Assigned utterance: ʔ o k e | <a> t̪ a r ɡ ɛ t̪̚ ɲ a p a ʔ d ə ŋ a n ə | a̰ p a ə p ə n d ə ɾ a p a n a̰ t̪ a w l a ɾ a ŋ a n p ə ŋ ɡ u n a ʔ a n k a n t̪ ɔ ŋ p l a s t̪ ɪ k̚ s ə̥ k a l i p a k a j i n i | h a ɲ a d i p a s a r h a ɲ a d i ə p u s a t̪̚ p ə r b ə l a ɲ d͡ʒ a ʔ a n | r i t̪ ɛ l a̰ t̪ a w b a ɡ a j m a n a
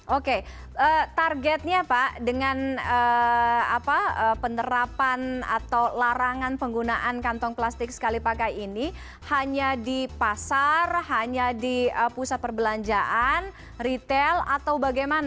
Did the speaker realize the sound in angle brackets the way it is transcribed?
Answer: no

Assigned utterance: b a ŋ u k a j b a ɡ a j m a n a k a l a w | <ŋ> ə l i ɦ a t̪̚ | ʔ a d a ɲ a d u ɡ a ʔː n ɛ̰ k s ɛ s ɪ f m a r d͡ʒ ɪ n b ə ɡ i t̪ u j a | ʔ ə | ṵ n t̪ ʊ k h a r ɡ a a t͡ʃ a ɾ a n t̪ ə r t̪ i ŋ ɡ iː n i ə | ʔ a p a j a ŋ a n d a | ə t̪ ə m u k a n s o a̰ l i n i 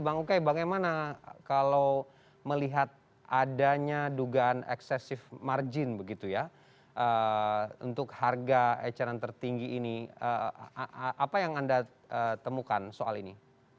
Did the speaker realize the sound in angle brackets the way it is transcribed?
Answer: no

